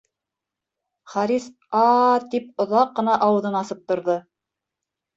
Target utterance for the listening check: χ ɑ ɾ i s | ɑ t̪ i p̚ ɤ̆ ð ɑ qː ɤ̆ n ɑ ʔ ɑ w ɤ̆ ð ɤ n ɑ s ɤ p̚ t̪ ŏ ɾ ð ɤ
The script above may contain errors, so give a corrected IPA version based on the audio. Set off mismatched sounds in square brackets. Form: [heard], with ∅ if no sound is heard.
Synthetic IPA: χ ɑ ɾ i s | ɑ t̪ i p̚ [ŏ] ð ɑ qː ɤ̆ n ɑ ʔ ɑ w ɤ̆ ð ɤ n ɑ s ɤ p̚ t̪ ŏ ɾ ð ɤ